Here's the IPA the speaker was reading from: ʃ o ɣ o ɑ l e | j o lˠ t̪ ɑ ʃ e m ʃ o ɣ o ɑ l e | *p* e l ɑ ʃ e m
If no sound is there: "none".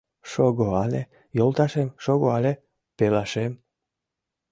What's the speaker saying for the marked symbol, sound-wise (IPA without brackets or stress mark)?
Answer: p